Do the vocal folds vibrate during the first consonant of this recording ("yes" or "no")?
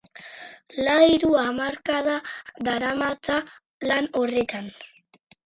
yes